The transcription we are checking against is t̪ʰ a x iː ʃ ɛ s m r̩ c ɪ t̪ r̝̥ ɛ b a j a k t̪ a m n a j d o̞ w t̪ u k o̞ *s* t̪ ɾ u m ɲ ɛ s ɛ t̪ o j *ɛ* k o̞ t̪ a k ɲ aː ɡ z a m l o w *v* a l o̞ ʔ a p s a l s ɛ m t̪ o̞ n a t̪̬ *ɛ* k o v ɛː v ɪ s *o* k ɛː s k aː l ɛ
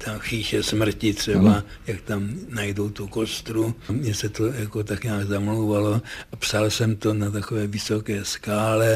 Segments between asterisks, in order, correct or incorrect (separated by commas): correct, incorrect, correct, incorrect, correct